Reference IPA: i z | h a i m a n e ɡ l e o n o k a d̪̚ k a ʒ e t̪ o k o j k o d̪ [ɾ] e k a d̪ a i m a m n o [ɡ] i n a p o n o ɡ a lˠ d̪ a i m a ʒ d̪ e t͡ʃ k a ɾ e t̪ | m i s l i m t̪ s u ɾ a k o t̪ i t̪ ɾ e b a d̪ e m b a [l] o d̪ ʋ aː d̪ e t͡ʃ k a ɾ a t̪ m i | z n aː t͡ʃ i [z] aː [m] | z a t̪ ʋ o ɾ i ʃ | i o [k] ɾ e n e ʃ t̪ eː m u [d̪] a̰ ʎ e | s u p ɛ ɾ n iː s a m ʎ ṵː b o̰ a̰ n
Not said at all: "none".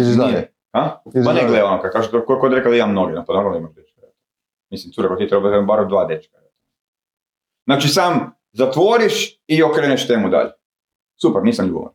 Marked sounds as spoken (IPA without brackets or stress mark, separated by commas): ɾ, ɡ, ɾ, s, m, k, d̪